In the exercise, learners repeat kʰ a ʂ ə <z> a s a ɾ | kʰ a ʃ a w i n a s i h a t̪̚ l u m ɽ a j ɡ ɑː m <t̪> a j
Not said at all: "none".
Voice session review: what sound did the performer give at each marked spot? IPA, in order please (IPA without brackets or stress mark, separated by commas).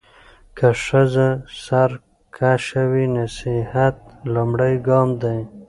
z, d̪